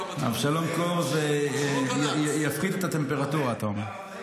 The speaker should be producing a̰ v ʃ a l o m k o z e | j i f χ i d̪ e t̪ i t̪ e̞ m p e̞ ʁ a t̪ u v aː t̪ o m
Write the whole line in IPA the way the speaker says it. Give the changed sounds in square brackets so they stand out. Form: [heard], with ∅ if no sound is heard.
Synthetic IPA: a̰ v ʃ a l o m k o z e | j [a] f χ i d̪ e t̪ [a] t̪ e̞ m p e̞ ʁ a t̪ u [ʁ] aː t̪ o m

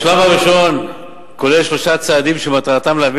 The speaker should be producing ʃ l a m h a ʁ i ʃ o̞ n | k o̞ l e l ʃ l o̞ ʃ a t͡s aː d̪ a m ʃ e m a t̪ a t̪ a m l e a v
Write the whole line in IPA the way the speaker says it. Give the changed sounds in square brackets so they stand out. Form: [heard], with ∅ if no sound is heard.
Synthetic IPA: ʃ l a m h a ʁ i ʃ o̞ n | k o̞ l e l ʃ l o̞ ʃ a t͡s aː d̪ [i] m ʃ e m a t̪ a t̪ a m l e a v

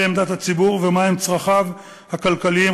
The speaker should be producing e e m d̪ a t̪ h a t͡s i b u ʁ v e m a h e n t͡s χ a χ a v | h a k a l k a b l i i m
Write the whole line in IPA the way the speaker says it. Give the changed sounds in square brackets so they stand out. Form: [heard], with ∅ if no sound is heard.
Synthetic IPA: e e m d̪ a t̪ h a t͡s i b u ʁ v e m a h e [m] t͡s [ʁ] a χ a v | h a k a l k a [∅] l i i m

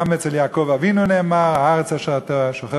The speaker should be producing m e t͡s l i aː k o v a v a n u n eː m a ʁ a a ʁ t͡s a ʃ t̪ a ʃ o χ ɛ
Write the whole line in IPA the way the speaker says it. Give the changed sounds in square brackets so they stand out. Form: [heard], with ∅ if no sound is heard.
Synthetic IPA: m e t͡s l [j] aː k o v a v [i] n u n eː m a ʁ a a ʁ t͡s a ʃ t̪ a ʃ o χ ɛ

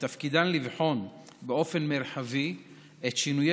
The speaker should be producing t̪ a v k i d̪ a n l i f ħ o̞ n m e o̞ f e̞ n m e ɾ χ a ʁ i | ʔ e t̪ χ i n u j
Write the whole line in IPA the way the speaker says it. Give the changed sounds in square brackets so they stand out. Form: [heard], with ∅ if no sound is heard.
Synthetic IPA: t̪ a [f] k i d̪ a n l i [v] ħ o̞ n [b] e o̞ f e̞ n m e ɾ [ħ] a [v] i | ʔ e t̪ [ʃ] i n u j

